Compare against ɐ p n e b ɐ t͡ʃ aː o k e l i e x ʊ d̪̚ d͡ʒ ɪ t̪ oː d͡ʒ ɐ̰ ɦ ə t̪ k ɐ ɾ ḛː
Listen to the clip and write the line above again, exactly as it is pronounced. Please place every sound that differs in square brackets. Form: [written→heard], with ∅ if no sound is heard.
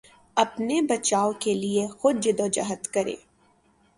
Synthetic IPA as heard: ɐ p n e b ɐ t͡ʃ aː o k e l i e x ʊ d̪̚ d͡ʒ ɪ [t̪→d̪] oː d͡ʒ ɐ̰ ɦ ə t̪ k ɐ ɾ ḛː